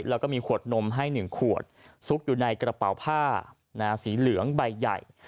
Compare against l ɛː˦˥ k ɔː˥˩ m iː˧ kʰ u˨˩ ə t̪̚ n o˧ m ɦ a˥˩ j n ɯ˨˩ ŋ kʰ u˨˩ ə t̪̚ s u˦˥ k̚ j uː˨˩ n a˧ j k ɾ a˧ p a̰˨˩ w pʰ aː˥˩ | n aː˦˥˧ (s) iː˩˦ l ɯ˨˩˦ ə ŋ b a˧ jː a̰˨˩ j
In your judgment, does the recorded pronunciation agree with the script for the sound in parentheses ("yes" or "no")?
yes